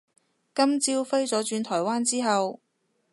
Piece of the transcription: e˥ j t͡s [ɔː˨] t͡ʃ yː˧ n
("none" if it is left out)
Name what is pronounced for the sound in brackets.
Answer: ɔː˨˥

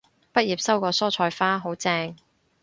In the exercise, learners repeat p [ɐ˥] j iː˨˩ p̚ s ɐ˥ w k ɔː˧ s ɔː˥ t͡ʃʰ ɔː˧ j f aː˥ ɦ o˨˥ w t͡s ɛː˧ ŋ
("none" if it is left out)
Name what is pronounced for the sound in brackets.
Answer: ɐ˥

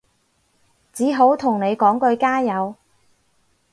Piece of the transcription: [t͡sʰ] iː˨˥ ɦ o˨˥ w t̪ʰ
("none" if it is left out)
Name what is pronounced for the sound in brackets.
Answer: t͡s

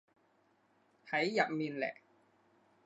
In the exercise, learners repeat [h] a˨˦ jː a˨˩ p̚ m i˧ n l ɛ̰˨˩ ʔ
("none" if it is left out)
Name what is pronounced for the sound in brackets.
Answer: h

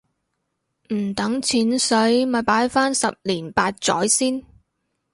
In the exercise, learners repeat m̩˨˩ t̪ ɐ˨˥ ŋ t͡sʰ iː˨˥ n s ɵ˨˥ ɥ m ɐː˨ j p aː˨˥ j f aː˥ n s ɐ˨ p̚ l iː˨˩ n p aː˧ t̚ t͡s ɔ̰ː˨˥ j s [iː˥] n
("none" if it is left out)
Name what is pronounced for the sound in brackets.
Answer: iː˥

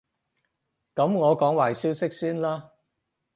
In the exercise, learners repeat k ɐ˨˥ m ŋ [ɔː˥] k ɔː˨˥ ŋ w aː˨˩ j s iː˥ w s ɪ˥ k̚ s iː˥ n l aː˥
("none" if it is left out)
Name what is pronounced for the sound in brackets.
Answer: ɔː˨˧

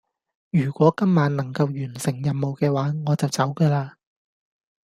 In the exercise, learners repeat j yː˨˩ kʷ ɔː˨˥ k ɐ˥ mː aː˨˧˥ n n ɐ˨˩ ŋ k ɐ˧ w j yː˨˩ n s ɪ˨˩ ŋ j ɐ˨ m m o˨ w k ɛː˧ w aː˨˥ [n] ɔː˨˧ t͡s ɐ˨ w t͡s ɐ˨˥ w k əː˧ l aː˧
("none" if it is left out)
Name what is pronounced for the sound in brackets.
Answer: ŋ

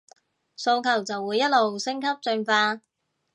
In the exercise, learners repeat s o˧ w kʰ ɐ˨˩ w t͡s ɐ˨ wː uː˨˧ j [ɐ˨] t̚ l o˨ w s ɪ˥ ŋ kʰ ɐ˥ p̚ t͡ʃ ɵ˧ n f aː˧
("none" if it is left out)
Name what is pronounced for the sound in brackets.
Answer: ɐ˥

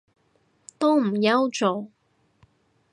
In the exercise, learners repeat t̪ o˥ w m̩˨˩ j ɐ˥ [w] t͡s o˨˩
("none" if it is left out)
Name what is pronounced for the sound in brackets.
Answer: w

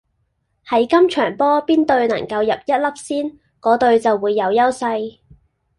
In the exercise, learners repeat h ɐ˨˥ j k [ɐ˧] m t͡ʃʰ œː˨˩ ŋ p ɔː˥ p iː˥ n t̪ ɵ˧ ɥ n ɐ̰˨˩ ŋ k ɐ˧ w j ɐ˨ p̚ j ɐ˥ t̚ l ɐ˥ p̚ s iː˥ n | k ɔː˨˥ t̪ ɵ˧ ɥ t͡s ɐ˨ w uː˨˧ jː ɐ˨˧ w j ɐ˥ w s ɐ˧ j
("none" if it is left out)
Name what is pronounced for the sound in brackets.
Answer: ɐ˥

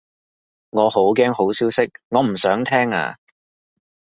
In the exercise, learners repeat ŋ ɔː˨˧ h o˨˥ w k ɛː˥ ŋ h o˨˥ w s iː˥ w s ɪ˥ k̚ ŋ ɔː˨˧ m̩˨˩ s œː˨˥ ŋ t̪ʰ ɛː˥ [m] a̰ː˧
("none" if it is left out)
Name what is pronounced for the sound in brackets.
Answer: ŋ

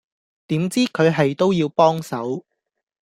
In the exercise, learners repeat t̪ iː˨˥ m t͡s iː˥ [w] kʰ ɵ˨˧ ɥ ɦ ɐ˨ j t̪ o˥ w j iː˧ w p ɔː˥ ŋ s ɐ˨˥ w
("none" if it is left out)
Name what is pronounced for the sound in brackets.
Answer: none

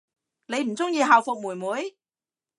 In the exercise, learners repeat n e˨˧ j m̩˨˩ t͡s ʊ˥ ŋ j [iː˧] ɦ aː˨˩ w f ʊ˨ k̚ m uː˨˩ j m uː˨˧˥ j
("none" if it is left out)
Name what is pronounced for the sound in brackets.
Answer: iː˧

